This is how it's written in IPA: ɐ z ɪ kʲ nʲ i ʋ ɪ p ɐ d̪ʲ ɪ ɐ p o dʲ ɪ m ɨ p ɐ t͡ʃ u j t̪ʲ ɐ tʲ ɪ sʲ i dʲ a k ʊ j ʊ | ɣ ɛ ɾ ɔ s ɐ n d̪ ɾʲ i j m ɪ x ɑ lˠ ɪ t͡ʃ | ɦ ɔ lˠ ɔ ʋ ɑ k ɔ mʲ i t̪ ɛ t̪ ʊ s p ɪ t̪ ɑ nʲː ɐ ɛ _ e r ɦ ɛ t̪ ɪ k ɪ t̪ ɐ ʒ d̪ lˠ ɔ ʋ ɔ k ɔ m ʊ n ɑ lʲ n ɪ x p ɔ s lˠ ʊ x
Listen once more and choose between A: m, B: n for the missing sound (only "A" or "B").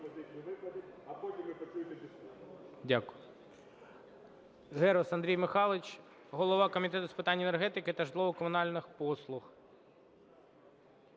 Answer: B